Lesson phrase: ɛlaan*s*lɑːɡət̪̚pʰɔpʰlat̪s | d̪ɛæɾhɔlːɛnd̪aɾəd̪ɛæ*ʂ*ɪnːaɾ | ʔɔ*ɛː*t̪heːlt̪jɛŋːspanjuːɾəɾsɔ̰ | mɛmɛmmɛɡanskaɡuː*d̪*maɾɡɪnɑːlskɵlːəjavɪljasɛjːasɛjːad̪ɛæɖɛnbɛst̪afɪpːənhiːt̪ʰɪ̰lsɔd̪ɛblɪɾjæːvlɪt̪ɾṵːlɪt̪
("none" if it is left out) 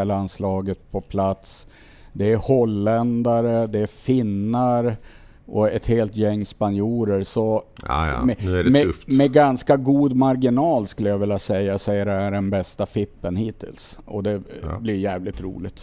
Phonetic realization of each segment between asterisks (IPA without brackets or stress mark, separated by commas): s, f, ɛ, d̪